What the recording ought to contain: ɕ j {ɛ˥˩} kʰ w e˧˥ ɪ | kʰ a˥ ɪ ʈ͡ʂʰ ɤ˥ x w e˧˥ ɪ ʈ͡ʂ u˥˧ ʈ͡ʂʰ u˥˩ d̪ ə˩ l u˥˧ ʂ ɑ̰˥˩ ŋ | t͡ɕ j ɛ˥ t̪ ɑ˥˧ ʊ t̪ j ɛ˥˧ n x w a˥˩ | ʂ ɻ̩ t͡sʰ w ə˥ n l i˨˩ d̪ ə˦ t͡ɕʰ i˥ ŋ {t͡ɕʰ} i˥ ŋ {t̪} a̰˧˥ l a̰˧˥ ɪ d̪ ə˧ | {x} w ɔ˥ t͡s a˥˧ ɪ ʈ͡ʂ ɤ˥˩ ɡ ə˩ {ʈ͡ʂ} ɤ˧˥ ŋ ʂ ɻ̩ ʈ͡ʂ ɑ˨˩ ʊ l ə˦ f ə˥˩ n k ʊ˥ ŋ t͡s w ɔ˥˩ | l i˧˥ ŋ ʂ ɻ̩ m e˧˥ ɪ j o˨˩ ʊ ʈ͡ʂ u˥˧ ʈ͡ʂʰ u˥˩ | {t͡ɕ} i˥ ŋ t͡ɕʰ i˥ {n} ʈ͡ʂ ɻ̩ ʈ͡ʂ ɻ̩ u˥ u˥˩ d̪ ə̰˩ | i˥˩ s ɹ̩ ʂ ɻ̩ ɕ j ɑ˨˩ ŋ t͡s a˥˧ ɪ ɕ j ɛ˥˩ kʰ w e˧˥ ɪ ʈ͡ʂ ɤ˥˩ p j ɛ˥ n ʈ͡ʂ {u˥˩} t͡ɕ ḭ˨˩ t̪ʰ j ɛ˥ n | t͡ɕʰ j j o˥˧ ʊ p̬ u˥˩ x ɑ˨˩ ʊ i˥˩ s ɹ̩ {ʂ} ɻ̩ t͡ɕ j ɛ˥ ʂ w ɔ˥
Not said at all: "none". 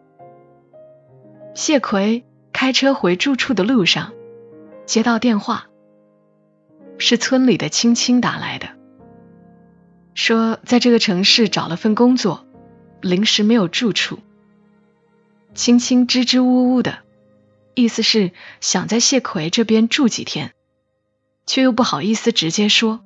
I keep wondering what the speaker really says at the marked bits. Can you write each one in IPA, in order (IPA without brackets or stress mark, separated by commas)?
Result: ɛ˥˩, t͡ɕʰ, t̪, ʂ, ʈ͡ʂʰ, t͡ɕʰ, ŋ, u˥˩, ʈ͡ʂ